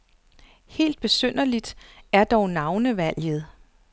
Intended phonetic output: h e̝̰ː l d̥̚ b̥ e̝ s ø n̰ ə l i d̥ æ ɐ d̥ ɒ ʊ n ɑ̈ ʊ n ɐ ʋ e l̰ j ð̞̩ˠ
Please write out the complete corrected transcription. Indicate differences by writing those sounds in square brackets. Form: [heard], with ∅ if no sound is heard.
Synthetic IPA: h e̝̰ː l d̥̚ b̥ e̝ s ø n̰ [ɐ] l i d̥ æ ɐ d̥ ɒ ʊ n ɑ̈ ʊ n [ə] ʋ [æ] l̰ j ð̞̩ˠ